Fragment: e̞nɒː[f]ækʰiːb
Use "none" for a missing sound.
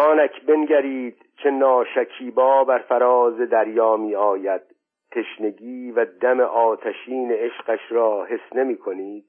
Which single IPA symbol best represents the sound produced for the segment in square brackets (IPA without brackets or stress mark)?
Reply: ʃ